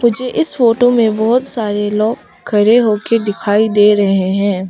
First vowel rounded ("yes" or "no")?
yes